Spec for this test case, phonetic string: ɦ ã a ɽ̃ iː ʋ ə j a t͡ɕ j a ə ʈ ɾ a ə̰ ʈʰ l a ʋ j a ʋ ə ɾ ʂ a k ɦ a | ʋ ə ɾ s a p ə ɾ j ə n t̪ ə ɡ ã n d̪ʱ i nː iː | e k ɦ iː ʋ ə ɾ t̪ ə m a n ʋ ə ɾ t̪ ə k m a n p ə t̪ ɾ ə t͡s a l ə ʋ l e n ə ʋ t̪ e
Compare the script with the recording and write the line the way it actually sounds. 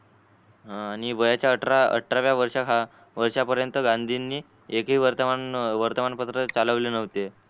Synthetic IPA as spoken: ɦ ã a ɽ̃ i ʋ ə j a t͡ɕ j a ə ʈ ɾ a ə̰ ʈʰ ɾ a ʋ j a ʋ ə ɾ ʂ a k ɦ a | ʋ ə ɾ ʂ a p ə ɾ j ə n t̪ ə ɡ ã n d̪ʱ i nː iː | e k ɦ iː ʋ ə ɾ t̪ ə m a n ʋ ə ɾ t̪ ə m a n p ə t̪ ɾ ə t͡s a l ə ʋ l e n ə ʋ t̪ e